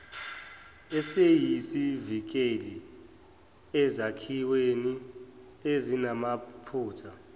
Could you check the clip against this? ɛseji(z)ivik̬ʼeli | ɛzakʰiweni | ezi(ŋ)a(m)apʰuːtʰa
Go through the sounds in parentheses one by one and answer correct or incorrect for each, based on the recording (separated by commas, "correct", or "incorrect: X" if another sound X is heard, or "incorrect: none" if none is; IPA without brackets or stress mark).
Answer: incorrect: s, incorrect: n, correct